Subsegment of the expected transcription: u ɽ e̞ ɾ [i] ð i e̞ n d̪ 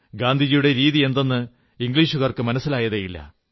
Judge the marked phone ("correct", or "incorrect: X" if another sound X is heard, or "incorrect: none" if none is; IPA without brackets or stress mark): incorrect: iː